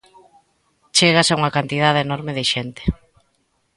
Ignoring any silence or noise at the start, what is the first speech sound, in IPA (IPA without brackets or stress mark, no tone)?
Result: t͡ʃ